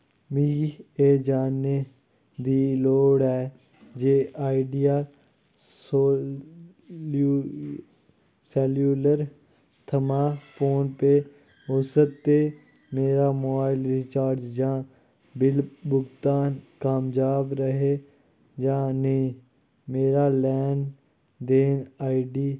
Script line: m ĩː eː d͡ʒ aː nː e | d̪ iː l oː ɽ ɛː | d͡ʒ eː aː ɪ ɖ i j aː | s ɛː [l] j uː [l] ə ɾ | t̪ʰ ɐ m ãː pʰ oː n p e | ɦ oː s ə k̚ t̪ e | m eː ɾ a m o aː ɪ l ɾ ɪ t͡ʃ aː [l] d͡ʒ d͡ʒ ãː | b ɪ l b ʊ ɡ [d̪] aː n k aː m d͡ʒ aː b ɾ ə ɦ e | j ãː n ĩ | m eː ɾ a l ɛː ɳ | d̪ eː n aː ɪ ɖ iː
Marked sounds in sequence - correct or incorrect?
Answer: correct, correct, incorrect: ɾ, incorrect: t̪

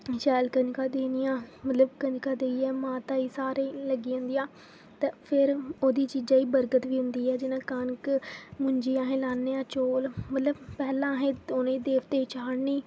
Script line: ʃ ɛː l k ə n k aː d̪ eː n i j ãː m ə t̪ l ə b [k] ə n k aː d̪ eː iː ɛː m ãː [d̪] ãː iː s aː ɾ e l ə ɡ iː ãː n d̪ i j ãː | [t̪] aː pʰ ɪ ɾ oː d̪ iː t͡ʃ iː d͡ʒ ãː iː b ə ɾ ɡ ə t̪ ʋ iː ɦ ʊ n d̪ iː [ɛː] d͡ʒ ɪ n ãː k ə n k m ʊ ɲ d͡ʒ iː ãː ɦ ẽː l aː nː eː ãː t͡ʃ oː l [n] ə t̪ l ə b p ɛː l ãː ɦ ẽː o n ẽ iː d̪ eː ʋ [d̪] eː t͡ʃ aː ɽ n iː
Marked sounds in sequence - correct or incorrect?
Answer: correct, incorrect: t̪, correct, correct, incorrect: m, incorrect: t̪

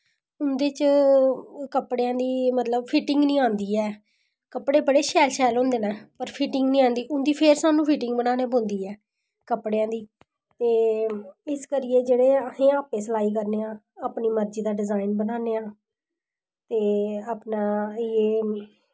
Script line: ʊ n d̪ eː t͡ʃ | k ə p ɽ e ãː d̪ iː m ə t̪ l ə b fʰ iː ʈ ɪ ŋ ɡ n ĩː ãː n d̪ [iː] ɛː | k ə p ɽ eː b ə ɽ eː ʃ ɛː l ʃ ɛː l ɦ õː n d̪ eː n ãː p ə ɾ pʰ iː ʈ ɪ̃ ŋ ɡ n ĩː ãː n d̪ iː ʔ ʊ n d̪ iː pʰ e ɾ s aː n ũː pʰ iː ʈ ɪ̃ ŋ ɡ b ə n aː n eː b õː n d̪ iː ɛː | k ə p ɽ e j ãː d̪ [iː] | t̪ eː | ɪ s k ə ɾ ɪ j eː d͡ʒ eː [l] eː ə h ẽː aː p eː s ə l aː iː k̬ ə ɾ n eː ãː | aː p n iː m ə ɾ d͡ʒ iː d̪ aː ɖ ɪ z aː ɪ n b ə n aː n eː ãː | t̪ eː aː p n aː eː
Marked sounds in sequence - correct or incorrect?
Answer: correct, correct, incorrect: ɽ

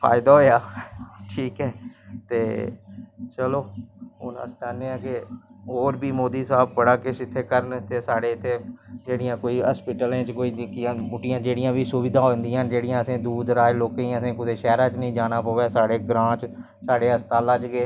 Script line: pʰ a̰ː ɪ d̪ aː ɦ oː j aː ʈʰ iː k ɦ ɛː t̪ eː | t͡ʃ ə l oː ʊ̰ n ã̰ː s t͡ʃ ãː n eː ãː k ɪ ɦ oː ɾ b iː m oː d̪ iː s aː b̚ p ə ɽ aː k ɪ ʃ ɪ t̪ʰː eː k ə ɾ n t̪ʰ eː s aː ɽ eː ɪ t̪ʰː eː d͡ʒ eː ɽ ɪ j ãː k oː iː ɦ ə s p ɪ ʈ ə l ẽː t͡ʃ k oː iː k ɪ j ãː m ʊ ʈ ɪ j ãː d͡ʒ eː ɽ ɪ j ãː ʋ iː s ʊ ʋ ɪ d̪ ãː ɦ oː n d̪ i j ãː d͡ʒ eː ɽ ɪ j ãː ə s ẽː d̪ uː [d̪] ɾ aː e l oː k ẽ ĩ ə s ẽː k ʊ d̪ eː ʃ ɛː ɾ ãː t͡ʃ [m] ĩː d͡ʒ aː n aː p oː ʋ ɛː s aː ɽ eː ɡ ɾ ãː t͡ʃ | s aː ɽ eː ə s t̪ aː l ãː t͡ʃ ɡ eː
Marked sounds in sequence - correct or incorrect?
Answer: correct, incorrect: n

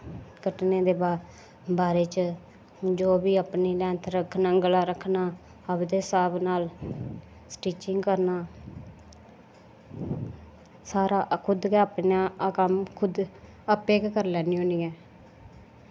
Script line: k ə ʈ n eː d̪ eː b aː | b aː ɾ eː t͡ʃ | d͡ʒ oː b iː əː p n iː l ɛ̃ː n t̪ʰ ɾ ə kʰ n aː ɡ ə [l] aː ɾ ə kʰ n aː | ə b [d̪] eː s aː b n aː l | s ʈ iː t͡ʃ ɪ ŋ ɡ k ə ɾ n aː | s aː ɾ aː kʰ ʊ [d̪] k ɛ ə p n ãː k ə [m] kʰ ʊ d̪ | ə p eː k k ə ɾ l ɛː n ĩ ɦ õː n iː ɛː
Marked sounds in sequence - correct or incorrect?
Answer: correct, correct, correct, correct

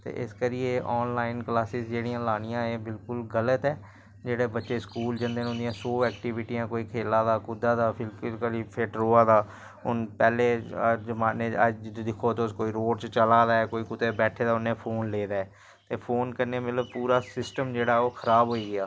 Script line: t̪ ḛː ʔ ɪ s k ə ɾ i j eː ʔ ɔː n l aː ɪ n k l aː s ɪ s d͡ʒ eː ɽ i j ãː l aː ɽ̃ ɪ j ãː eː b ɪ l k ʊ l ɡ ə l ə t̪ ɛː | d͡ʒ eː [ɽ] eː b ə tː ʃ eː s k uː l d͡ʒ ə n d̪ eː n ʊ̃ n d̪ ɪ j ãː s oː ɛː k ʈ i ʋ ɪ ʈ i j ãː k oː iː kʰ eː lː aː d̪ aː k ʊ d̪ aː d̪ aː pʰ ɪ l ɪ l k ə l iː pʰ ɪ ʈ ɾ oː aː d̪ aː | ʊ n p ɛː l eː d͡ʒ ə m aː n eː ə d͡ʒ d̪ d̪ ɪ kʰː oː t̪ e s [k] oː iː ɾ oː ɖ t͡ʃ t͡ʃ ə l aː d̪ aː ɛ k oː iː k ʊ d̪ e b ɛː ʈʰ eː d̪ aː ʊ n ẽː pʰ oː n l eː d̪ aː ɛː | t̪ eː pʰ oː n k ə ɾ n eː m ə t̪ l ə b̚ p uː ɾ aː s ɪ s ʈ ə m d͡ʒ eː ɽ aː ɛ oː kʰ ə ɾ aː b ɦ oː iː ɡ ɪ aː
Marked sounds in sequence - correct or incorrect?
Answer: correct, correct

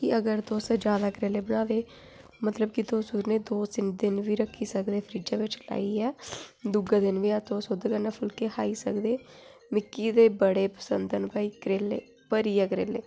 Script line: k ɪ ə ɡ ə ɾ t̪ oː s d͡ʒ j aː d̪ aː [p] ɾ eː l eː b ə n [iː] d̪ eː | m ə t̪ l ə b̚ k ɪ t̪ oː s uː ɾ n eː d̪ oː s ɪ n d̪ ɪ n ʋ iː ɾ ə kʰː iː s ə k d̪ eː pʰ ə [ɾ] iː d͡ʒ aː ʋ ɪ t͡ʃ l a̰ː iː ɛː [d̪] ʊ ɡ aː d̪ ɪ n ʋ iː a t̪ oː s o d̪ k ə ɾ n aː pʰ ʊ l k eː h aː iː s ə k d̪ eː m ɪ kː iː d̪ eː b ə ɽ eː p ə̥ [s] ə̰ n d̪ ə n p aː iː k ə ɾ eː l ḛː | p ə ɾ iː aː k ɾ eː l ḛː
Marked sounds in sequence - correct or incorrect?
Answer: incorrect: k, incorrect: aː, correct, correct, correct

